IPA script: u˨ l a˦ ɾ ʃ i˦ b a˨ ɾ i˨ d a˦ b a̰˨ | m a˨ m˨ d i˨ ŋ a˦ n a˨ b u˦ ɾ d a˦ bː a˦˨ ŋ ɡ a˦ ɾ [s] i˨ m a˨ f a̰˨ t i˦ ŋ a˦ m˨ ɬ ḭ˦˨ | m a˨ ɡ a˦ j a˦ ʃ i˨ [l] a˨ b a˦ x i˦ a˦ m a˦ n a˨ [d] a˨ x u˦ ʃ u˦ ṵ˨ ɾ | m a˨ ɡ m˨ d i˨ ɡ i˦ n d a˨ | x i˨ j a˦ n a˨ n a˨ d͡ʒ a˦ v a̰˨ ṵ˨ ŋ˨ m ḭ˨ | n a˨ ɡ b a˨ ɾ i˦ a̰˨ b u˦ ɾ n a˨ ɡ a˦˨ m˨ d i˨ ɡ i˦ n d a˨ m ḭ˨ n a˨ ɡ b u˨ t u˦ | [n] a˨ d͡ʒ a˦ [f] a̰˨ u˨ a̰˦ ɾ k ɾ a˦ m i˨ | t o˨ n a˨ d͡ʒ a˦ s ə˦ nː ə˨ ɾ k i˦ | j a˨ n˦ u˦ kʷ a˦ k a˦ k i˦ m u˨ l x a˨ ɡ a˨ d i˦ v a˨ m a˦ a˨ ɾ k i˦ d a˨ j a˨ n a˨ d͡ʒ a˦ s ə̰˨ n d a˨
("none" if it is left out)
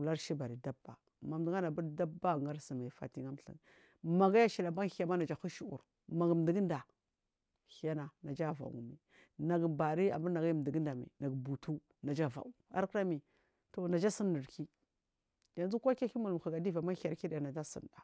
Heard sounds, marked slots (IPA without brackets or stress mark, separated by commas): s, l, d͡ʒ, n, v